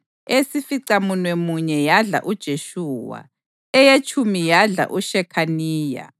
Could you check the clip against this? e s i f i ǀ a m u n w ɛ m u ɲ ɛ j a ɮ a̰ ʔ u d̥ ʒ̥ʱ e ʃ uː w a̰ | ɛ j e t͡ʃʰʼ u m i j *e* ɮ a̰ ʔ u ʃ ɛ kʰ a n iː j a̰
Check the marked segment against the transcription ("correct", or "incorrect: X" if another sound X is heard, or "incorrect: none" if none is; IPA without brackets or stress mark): incorrect: a